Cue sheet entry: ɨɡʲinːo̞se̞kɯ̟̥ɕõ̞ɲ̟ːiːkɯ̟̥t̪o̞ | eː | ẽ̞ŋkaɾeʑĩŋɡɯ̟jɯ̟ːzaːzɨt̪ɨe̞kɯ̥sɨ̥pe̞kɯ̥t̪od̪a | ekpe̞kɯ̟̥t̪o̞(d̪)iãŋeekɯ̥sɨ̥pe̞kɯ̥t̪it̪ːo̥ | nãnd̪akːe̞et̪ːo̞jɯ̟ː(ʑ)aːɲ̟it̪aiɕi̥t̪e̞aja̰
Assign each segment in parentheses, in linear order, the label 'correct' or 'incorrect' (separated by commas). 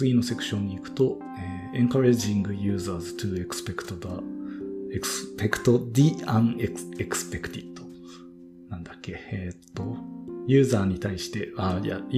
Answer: correct, incorrect